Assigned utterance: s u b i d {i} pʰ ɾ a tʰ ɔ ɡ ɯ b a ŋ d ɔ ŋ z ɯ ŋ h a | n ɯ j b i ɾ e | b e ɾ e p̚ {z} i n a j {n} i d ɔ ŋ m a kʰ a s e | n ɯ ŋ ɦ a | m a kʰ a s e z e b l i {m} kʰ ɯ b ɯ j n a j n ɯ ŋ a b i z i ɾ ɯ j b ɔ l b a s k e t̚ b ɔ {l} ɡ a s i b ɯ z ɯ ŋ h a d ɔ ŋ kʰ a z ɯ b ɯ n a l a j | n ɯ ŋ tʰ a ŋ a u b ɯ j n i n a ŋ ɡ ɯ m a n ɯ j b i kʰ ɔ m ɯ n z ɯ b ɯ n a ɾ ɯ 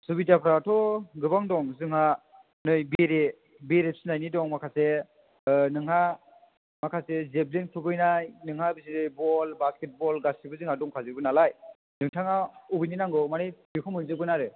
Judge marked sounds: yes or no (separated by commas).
no, no, yes, no, yes